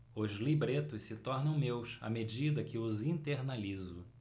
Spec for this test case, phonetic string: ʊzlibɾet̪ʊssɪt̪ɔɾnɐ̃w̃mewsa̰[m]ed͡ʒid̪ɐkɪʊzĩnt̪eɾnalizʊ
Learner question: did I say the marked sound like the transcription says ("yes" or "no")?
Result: yes